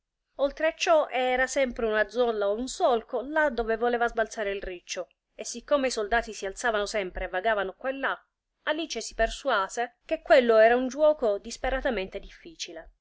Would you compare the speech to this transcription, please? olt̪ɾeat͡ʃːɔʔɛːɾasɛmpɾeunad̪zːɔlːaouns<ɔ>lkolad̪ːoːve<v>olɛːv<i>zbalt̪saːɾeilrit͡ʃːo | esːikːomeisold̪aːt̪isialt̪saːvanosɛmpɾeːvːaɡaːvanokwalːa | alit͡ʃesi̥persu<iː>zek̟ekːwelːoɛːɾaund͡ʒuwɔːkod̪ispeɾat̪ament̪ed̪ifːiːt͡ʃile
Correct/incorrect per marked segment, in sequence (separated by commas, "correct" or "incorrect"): correct, correct, incorrect, incorrect